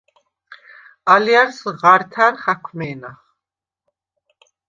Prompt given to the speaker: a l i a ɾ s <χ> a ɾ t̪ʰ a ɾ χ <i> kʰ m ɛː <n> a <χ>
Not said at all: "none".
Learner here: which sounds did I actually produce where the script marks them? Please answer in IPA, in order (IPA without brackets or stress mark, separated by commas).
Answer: ʁ, a, n, χ